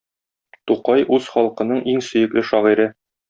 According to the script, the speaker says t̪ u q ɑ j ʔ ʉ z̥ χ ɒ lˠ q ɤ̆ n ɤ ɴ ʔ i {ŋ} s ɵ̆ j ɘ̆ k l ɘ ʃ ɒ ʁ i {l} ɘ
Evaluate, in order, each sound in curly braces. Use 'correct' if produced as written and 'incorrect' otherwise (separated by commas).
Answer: correct, incorrect